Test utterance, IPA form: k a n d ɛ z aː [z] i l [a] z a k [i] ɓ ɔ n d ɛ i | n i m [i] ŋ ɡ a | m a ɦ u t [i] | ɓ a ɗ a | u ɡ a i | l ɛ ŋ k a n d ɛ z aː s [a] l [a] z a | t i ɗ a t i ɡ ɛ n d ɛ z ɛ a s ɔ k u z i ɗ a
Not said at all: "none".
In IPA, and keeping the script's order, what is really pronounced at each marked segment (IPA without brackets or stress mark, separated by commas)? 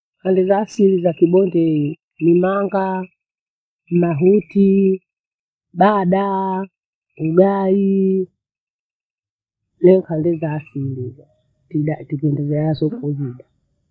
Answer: s, i, i, a, i, i, i